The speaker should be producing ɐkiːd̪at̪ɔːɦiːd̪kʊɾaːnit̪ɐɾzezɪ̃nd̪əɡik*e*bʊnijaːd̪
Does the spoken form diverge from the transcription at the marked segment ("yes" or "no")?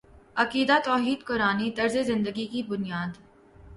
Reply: yes